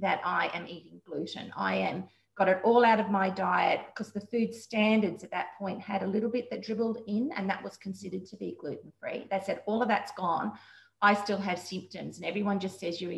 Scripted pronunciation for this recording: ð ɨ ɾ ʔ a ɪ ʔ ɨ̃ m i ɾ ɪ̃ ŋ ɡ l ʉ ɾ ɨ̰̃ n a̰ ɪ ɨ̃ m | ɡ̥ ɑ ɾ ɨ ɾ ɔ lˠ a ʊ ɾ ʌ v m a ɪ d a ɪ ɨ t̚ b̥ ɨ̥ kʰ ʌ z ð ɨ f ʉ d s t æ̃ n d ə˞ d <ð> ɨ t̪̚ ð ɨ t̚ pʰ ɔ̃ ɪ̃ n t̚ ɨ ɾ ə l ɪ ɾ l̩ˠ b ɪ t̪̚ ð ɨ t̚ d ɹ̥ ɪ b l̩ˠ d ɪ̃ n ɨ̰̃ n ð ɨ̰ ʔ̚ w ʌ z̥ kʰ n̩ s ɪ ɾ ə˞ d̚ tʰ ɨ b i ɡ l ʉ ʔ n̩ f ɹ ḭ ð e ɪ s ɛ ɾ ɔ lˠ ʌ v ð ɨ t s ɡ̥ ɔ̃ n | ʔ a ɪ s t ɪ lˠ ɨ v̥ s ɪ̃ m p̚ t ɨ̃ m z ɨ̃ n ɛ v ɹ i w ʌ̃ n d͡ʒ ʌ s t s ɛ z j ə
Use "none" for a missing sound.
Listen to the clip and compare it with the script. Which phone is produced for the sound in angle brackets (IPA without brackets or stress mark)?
z